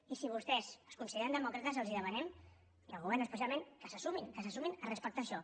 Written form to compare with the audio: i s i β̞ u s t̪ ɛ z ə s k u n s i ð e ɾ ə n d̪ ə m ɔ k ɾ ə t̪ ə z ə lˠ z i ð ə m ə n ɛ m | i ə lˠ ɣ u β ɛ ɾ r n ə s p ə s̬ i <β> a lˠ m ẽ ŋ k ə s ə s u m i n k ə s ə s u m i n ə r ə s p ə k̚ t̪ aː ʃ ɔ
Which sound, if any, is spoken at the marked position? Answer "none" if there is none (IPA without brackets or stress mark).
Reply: none